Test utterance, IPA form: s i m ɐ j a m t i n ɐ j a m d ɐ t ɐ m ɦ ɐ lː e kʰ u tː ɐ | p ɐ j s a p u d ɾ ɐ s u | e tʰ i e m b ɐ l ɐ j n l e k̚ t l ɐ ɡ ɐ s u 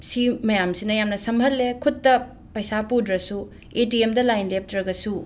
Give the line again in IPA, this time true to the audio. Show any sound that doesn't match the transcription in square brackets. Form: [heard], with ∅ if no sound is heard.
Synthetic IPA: s i m ɐ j a m [s] i n ɐ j a m [n] ɐ [s] ɐ m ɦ ɐ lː e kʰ u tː ɐ | p ɐ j s a p u d ɾ ɐ s u | e [t] i e m [d] ɐ l [a] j n l e [p̚] t [ɾ] ɐ ɡ ɐ s u